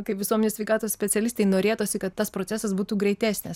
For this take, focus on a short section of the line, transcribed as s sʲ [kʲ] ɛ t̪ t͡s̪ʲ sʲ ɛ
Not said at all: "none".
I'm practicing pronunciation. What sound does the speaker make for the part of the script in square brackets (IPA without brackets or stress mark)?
pʲ